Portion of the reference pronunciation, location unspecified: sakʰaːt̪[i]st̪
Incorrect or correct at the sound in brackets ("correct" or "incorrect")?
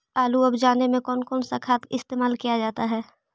incorrect